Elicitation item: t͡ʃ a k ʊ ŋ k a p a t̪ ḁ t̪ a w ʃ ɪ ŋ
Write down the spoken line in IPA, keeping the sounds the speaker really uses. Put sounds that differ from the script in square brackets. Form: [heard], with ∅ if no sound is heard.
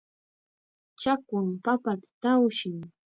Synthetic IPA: t͡ʃ a k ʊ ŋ [p] a p a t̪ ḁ t̪ a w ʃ ɪ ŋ